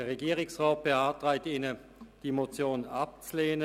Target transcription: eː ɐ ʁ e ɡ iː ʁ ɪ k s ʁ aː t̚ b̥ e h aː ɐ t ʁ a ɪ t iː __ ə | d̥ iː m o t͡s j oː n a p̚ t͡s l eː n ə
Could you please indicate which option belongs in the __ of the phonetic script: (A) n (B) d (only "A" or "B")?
A